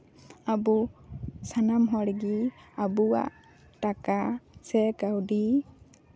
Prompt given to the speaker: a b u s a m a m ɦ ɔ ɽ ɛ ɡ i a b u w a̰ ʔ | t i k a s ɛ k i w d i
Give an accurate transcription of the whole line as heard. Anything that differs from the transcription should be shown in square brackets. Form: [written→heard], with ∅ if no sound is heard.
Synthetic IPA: a b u s a [m→n] a m ɦ ɔ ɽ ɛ ɡ i a b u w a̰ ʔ | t [i→a] k a s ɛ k [i→a] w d i